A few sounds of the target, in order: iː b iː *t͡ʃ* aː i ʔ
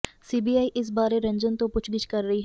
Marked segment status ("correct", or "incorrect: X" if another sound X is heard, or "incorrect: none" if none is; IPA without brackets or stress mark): incorrect: none